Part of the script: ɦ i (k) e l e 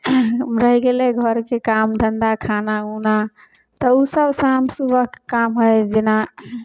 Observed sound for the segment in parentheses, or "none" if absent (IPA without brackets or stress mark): ɡ